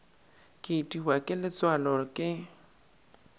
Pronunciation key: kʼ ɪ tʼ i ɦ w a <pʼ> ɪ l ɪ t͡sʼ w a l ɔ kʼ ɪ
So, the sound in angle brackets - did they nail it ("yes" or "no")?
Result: no